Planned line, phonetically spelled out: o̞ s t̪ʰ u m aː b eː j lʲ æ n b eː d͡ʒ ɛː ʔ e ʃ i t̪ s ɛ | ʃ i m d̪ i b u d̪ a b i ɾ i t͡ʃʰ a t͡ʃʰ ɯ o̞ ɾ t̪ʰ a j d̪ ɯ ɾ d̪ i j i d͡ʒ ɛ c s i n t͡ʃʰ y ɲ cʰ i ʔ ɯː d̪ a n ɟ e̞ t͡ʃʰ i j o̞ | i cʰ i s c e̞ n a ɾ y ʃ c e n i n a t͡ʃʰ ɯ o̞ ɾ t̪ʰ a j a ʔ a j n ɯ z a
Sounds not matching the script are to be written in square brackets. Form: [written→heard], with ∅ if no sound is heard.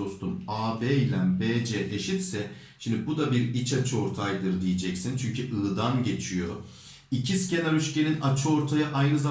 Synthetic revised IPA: o̞ s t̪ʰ u m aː b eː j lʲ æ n b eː d͡ʒ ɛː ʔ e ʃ i t̪ s ɛ | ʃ i m d̪ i b u d̪ a b i ɾ i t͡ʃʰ a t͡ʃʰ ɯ o̞ ɾ t̪ʰ a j d̪ ɯ ɾ d̪ i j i d͡ʒ ɛ c s i n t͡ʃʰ y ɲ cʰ [i→y] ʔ ɯː d̪ a n ɟ e̞ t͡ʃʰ i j o̞ | i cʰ i s c e̞ n a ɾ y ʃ c e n i n a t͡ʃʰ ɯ o̞ ɾ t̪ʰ a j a ʔ a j n ɯ z a